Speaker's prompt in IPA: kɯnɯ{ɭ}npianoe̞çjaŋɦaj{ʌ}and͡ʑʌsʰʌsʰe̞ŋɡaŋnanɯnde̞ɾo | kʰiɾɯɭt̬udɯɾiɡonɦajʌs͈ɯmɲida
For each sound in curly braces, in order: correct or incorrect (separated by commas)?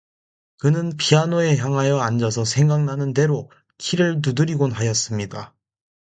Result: incorrect, correct